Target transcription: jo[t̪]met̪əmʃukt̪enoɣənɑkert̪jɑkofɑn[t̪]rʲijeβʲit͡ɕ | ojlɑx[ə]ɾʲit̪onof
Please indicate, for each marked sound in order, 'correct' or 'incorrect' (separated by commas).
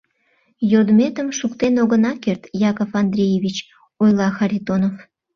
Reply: incorrect, incorrect, incorrect